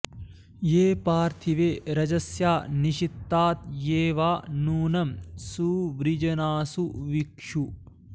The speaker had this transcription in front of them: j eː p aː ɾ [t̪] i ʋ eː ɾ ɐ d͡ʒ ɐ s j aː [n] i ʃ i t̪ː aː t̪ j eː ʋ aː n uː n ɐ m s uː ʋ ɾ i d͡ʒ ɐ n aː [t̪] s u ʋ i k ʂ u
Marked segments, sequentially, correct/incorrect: incorrect, correct, incorrect

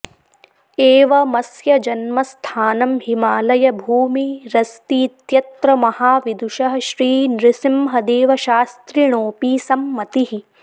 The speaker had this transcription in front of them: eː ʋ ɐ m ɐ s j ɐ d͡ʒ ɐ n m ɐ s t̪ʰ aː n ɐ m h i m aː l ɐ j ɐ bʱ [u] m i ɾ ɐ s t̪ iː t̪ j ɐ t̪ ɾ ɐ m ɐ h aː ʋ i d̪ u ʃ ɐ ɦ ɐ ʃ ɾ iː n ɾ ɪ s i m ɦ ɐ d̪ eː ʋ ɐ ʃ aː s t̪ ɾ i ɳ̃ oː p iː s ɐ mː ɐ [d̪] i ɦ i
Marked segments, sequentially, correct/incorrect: incorrect, incorrect

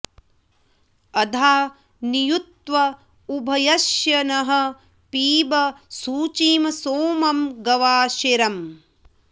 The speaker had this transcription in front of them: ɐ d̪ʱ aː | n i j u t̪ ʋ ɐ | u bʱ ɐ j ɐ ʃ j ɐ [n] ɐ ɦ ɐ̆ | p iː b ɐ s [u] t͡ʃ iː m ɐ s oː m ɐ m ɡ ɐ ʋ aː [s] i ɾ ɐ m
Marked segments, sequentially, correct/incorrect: correct, incorrect, incorrect

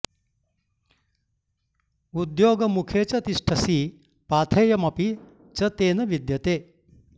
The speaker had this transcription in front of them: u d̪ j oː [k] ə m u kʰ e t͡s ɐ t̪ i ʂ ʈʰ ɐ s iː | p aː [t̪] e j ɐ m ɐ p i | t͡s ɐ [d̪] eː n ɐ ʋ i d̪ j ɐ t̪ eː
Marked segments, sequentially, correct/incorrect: incorrect, incorrect, incorrect

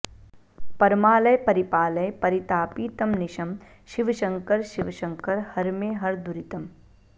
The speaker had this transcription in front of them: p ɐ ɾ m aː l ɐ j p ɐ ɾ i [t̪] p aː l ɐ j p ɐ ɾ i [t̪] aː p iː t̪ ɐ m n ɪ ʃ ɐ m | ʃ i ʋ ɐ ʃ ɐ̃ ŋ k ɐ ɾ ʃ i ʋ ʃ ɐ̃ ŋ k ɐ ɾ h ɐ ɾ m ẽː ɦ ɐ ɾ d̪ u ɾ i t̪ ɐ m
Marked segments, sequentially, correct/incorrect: incorrect, correct

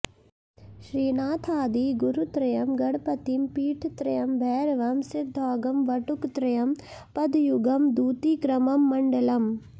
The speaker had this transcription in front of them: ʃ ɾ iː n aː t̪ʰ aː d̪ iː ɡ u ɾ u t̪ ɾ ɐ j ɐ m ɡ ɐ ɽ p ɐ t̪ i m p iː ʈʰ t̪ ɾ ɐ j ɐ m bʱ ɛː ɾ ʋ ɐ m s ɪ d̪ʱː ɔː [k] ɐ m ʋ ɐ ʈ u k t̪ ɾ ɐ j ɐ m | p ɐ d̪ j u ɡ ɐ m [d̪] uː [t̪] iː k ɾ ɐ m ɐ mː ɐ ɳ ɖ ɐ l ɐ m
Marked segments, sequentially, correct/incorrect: incorrect, correct, correct

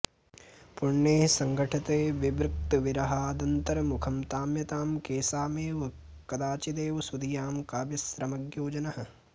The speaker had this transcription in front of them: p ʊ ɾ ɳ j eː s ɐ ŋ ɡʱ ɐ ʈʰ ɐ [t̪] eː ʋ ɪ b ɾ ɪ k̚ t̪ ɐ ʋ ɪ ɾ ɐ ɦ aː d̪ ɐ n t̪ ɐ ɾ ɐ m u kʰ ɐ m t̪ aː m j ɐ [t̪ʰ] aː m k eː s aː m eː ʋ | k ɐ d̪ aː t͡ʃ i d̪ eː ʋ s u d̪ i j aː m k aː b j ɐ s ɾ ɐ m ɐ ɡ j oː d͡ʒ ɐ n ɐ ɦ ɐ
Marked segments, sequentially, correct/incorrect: correct, incorrect

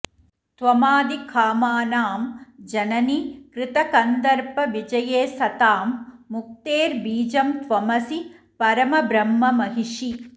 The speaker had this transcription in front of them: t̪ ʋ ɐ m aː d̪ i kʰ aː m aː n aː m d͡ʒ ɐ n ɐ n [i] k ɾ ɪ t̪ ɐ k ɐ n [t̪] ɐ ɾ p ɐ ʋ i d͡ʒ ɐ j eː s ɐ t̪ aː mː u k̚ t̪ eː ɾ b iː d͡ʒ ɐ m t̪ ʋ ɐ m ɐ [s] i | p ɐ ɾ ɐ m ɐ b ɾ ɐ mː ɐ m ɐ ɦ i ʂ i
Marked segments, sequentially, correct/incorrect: correct, incorrect, correct

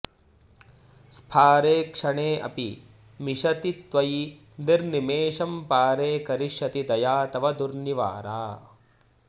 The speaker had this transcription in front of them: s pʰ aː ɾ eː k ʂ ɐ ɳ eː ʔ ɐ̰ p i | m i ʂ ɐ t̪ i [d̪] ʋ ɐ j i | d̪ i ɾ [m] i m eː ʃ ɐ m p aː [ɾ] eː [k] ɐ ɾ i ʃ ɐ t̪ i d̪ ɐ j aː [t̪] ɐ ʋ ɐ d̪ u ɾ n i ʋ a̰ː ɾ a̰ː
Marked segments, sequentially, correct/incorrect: incorrect, incorrect, correct, correct, correct

